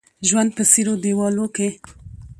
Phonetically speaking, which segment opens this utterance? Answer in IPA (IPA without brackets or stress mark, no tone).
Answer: ʒ